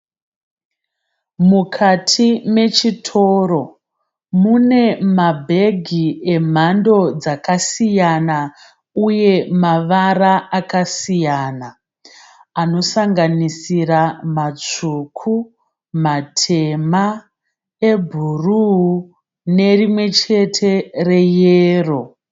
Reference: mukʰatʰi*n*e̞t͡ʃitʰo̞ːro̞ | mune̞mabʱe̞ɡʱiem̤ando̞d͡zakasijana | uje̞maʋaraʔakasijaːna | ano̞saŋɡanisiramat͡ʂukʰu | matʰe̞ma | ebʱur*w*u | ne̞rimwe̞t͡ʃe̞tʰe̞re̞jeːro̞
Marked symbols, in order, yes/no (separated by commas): no, no